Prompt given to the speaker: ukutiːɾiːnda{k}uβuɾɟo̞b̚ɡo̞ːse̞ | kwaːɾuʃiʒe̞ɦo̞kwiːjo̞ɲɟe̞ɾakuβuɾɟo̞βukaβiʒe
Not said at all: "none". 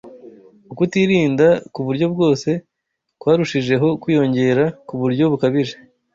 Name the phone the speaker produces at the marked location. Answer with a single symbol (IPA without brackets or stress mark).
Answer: k